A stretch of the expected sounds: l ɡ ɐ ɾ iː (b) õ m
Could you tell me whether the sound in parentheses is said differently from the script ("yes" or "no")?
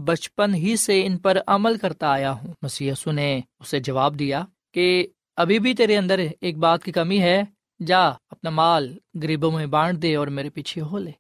no